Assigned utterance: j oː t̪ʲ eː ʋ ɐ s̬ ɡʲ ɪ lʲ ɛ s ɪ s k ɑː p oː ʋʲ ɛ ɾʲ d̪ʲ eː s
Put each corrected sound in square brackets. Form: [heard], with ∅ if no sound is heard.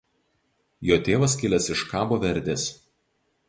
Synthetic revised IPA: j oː t̪ʲ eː ʋ ɐ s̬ [kʲ] ɪ lʲ ɛ s ɪ [ʃ] k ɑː [b] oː ʋʲ ɛ ɾʲ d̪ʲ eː s